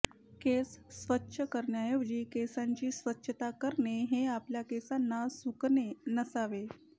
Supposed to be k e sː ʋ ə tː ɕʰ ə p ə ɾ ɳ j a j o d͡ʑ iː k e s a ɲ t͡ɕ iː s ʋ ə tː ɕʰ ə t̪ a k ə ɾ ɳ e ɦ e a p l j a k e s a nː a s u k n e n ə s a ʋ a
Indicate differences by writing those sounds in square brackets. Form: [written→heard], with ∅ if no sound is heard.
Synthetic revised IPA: k e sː ʋ ə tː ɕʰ ə [p→k] ə ɾ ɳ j a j o d͡ʑ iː k e s a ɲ t͡ɕ iː s ʋ ə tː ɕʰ ə t̪ a k ə ɾ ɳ e ɦ e a p l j a k e s a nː a s u k n e n ə s a ʋ [a→e]